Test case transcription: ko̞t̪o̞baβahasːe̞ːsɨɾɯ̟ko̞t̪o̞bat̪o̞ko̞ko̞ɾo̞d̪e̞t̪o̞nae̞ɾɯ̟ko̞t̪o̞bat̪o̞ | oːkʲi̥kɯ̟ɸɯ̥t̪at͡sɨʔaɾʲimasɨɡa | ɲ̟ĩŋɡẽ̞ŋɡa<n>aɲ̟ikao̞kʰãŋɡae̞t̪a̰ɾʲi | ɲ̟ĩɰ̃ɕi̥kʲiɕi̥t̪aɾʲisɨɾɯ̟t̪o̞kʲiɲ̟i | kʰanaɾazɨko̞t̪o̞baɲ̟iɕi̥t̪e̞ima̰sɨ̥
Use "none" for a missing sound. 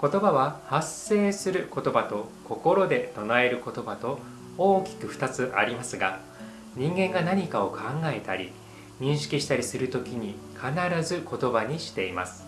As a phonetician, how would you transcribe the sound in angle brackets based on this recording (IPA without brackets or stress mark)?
n